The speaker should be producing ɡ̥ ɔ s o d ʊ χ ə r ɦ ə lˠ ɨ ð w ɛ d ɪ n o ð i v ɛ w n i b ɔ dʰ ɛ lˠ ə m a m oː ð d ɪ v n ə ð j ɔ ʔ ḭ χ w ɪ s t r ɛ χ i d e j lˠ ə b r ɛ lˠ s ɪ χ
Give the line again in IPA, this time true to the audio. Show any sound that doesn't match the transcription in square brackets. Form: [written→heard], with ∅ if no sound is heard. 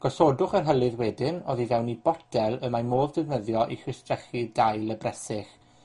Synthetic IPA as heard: ɡ̥ ɔ s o d ʊ χ ə r ɦ ə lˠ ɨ ð w ɛ d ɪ n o ð i v ɛ w n i b ɔ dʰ ɛ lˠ ə m a m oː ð d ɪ v n ə ð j ɔ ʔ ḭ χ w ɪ s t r ɛ χ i d [e→a] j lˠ ə b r ɛ [lˠ→∅] s ɪ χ

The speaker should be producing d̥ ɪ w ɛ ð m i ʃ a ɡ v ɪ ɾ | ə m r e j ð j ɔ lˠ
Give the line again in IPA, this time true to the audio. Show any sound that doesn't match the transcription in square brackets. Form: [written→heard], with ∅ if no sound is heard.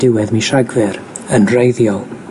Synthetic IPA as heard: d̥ ɪ w ɛ ð m i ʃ a ɡ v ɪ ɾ | ə [m→n] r e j ð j ɔ lˠ

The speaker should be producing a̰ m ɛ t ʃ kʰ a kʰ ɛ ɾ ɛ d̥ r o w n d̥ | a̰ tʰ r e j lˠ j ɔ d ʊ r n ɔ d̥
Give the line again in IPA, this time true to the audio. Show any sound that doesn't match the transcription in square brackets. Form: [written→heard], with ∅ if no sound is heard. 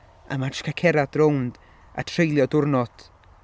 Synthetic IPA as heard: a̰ m [ɛ→a] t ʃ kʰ a kʰ ɛ ɾ [ɛ→a] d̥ r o w n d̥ | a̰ tʰ r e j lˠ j ɔ d ʊ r n ɔ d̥

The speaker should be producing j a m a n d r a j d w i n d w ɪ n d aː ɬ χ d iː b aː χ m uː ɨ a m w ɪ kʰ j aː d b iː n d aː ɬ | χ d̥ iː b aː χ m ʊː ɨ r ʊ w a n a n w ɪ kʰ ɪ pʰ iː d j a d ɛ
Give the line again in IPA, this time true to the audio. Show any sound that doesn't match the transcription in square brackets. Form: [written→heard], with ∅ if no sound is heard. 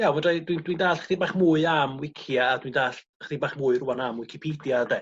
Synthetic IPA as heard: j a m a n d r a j d w i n d w [ɪ→i] n d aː ɬ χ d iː b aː χ m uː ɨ a m w ɪ kʰ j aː d [b→w] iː n d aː ɬ | χ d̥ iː b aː χ m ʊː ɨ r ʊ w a n a [n→m] w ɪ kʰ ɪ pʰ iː d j a d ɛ

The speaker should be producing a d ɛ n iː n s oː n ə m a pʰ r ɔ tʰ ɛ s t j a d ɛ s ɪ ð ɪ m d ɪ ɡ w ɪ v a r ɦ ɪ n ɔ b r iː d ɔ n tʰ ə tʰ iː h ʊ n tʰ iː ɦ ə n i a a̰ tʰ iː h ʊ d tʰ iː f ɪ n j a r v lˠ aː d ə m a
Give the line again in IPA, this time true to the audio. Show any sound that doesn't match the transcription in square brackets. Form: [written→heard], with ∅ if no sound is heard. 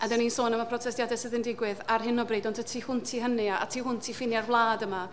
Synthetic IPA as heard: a d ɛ n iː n s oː n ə m a pʰ r ɔ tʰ ɛ s t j a d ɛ s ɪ ð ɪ [m→n] d ɪ ɡ w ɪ [v→ð] a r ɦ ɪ n ɔ b r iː d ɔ n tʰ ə tʰ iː h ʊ n tʰ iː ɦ ə n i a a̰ tʰ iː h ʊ [d→n] tʰ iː f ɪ n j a r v lˠ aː d ə m a

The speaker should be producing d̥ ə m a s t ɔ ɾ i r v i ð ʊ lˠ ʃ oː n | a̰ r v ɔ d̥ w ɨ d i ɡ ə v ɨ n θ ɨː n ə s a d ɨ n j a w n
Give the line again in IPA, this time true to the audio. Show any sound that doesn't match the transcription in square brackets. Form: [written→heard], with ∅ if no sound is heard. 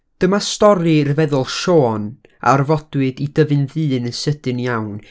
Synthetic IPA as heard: d̥ ə m a s t ɔ ɾ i r v [i→ɛ] ð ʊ lˠ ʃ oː n | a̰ r v ɔ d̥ w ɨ d i [ɡ→d] ə v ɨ n [θ→ð] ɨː n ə s [a→ə] d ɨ n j a w n

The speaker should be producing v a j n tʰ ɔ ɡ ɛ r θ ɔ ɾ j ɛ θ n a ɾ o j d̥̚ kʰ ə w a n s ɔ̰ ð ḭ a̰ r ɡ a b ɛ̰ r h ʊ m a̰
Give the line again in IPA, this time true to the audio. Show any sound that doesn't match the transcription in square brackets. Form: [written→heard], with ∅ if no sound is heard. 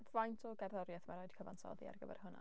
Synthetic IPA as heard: v a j n tʰ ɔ ɡ ɛ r [θ→ð] ɔ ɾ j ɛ θ [n→m] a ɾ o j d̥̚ kʰ ə [w→v] a n s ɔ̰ ð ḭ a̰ r ɡ [a→ə] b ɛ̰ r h ʊ [m→n] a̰

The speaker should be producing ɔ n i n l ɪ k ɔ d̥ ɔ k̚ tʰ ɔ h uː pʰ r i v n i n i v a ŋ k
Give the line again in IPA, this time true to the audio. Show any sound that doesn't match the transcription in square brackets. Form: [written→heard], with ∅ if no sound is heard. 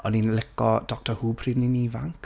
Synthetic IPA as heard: ɔ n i n l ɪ k ɔ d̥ ɔ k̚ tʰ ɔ h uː pʰ r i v n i n i v a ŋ k

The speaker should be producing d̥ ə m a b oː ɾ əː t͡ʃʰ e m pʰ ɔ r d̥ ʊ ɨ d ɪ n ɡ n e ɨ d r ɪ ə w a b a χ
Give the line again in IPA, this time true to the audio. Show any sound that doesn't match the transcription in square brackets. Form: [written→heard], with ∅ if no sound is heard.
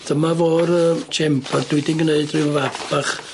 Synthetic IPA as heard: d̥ ə m a [b→v] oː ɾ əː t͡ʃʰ [e→ɛ] m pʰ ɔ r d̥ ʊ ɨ d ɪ n ɡ n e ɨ d r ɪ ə [w→v] a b a χ

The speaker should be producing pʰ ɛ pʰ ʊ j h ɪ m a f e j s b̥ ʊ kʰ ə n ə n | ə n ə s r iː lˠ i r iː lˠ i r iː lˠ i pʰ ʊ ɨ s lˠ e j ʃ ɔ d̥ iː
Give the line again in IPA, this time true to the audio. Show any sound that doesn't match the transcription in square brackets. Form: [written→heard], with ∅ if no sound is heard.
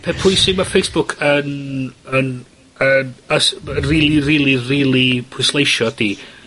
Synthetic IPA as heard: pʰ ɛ pʰ ʊ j [h→s] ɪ m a f e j s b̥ ʊ kʰ ə n ə n | ə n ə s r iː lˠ i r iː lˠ i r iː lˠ i pʰ ʊ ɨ s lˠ e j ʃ ɔ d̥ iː

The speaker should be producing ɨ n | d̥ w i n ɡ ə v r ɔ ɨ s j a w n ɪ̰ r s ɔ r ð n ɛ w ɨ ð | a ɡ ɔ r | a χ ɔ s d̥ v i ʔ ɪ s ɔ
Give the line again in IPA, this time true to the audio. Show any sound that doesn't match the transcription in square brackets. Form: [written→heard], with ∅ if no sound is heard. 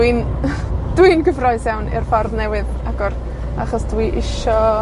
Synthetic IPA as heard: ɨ n | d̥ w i n ɡ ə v r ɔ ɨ s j a w n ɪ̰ r [s→f] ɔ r ð n ɛ w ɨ ð | a ɡ ɔ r | a χ ɔ s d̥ [v→w] i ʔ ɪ [s→ʃ] ɔ

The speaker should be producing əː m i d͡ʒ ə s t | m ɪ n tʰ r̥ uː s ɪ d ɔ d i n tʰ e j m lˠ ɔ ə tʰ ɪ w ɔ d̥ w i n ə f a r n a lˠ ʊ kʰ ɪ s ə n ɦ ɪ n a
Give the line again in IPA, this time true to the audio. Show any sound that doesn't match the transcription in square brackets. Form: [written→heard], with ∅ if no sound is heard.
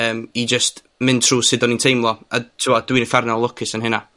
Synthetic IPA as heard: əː m i d͡ʒ ə s t | m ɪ n tʰ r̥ uː s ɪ d ɔ [d→n] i n tʰ e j m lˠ ɔ [ə→a] tʰ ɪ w ɔ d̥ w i n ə f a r n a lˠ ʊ kʰ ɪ s ə n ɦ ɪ n a

